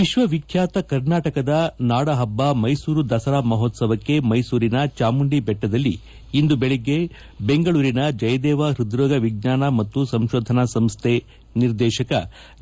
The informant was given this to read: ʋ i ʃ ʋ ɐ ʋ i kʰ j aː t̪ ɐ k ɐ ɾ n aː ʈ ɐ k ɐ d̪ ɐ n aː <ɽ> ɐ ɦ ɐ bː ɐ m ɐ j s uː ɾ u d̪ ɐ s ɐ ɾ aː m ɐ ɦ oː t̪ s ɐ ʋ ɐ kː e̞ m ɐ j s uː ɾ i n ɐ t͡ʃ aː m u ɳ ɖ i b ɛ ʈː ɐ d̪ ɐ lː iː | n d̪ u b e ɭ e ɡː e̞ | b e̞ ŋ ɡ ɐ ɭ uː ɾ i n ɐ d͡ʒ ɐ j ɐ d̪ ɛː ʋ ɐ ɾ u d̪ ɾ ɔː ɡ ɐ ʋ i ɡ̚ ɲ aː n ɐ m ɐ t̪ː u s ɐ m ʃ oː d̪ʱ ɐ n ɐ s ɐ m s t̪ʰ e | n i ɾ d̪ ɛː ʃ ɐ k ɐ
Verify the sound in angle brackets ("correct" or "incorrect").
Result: correct